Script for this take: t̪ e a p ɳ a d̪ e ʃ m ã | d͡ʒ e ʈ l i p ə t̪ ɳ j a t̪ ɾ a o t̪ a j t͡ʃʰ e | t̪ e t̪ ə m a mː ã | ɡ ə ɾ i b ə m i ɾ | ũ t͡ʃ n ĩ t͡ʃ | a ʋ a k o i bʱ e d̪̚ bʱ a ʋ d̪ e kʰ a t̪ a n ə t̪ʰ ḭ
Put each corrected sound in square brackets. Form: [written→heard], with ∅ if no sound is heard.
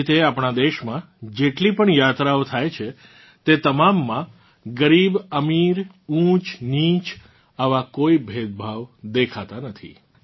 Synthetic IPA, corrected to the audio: t̪ e a p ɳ a d̪ e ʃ m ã | d͡ʒ e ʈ l i p ə [t̪→∅] ɳ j a t̪ ɾ a o [t̪→t̪ʰ] a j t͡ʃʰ e | t̪ e t̪ ə m a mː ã | ɡ ə ɾ i b ə m i ɾ | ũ t͡ʃ n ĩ t͡ʃ | a ʋ a k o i bʱ e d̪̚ bʱ a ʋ d̪ e kʰ a t̪ a n ə t̪ʰ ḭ